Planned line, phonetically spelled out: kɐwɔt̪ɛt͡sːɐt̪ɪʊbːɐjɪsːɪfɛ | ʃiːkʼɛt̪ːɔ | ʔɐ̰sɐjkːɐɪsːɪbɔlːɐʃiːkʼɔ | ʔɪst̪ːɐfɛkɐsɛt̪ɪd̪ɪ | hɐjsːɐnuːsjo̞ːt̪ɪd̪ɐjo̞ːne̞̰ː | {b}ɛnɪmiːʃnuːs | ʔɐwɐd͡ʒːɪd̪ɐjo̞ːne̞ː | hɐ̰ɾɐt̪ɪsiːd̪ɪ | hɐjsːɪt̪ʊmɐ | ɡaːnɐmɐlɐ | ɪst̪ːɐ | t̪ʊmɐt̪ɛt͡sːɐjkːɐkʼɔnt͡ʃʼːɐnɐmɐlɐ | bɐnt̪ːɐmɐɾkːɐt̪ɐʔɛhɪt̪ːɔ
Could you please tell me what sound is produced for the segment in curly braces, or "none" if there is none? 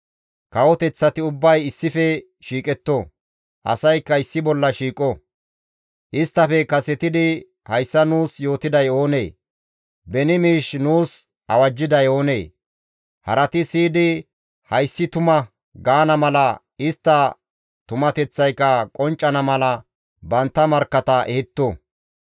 b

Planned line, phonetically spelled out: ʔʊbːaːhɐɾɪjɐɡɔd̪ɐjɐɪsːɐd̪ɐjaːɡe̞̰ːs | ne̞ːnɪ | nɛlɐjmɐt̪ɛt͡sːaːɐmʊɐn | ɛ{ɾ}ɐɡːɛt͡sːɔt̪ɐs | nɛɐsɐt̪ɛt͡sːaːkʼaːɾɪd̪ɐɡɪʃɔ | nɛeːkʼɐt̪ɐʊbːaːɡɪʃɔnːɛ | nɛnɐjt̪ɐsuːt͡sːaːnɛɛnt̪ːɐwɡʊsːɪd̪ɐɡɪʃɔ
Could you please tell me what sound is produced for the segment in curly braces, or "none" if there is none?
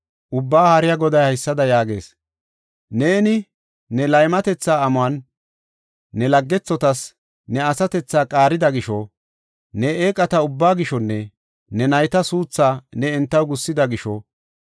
l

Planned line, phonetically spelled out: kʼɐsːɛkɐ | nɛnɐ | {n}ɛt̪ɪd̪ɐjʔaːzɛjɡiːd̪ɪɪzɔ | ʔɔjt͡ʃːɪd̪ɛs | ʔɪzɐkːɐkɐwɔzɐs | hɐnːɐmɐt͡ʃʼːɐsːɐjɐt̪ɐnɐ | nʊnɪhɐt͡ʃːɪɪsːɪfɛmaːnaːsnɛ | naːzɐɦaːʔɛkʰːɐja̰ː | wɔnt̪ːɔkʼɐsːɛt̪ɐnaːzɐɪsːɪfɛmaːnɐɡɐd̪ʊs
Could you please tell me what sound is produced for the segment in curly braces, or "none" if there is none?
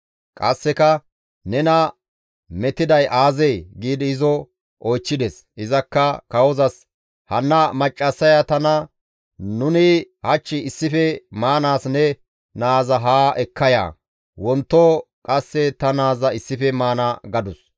m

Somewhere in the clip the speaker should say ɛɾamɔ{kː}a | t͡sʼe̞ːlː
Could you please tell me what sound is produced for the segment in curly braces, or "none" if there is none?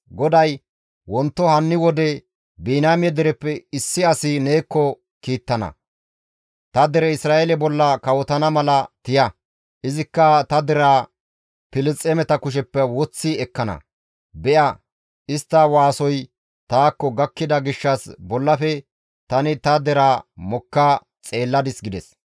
kː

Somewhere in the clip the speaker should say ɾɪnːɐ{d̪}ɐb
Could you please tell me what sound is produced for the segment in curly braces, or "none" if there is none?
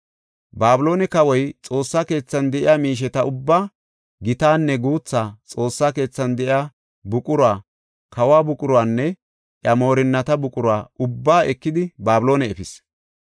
t̪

